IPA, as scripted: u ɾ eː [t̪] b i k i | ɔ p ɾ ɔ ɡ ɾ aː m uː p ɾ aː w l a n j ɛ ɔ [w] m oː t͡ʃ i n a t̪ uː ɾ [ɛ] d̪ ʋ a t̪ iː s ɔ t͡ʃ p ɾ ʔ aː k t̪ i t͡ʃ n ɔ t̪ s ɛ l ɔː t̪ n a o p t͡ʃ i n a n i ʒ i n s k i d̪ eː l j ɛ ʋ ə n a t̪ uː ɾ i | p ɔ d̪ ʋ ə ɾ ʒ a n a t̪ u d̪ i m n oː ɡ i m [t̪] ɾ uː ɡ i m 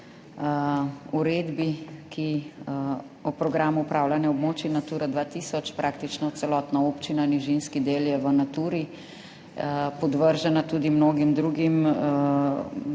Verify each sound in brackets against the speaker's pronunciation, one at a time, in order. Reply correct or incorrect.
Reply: incorrect: d̪, incorrect: b, incorrect: a, incorrect: d̪

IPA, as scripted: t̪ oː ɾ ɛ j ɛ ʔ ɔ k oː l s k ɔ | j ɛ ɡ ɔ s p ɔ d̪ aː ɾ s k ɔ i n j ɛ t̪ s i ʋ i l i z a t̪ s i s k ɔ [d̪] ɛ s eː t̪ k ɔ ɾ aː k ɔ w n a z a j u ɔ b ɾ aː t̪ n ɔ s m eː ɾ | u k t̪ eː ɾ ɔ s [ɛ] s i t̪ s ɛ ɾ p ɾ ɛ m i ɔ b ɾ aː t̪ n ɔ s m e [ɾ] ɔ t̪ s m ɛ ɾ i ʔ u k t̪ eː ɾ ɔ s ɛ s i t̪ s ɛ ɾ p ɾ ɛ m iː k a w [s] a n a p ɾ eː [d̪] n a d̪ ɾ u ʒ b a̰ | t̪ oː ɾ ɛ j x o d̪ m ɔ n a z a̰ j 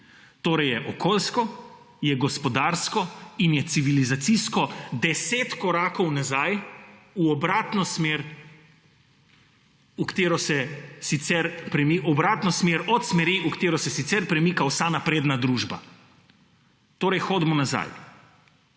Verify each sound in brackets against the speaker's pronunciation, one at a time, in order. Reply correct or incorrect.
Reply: correct, correct, correct, correct, correct

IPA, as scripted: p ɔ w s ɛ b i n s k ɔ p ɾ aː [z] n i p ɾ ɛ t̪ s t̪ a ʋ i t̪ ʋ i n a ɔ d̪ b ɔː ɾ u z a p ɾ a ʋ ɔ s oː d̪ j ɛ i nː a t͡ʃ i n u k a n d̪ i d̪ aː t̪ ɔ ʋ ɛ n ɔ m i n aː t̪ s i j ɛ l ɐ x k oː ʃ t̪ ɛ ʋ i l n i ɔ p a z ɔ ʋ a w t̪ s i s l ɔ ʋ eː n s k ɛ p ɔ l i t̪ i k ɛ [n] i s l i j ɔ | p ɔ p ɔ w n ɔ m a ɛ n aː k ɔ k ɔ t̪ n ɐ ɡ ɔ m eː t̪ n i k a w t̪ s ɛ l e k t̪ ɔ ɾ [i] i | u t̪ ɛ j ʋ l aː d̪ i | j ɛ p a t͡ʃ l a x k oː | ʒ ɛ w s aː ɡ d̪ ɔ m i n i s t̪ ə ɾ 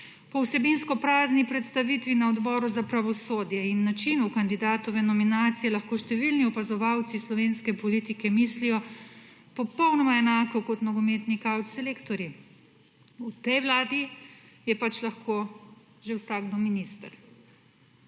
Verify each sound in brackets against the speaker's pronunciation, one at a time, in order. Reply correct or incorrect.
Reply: correct, incorrect: m, incorrect: j

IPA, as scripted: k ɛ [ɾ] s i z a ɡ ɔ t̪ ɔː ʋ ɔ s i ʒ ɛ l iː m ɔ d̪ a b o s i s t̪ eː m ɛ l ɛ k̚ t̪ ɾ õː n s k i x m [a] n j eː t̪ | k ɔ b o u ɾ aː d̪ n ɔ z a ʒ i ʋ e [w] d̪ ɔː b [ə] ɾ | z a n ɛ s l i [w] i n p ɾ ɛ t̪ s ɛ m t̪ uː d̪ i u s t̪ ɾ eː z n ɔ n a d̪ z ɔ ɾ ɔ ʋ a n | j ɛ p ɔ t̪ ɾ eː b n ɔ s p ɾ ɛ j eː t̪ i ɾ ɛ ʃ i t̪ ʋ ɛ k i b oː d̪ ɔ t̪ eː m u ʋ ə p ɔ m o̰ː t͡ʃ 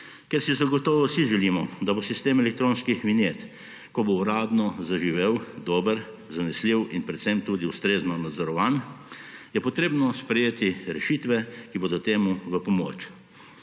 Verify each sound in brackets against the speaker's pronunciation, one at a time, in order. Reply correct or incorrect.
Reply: correct, incorrect: i, correct, correct, correct

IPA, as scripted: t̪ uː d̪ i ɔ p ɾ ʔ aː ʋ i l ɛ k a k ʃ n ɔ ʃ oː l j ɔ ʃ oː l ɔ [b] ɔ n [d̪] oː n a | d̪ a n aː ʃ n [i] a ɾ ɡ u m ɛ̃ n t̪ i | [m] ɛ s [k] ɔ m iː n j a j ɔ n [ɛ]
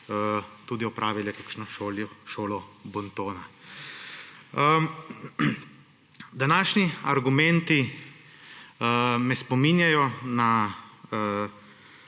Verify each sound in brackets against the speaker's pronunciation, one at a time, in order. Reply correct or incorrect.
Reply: correct, incorrect: t̪, correct, correct, incorrect: p, incorrect: a

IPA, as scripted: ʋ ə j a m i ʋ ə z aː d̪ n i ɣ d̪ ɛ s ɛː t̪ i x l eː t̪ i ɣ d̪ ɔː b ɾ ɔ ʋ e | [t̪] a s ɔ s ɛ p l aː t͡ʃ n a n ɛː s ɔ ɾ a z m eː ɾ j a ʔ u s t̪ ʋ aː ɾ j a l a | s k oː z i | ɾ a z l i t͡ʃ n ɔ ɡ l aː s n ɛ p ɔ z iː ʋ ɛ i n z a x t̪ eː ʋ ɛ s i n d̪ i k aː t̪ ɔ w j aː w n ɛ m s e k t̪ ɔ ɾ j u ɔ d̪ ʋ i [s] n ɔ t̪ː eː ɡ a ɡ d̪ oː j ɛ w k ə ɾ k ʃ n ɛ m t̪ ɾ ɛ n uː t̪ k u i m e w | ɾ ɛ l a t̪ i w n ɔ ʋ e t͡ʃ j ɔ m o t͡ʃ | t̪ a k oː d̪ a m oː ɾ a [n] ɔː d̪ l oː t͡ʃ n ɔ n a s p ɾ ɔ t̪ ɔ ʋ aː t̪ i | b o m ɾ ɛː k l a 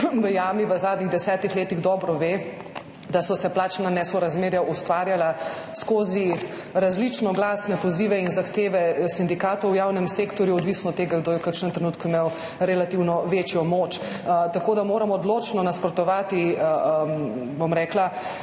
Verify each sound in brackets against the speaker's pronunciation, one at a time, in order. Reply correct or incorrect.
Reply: incorrect: d̪, correct, incorrect: m

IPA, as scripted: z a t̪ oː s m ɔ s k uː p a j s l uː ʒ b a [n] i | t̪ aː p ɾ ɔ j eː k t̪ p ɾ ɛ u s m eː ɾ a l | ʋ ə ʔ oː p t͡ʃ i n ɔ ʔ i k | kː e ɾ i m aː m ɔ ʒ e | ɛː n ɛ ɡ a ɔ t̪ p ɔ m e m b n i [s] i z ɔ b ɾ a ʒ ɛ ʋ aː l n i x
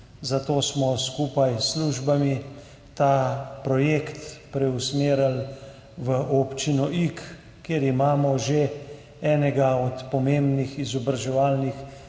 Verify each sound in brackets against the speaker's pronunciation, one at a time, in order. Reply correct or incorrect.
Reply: incorrect: m, incorrect: x

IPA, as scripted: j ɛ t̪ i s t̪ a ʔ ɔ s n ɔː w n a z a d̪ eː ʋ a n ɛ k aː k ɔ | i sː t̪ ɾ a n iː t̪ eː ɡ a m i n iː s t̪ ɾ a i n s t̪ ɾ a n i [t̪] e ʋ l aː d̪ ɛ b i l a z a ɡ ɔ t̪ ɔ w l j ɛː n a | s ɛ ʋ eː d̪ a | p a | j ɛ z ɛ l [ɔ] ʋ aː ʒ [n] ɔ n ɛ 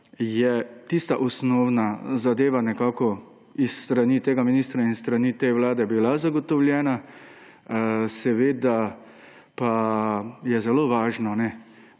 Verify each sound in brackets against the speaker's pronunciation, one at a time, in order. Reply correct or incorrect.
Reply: correct, incorrect: o, correct

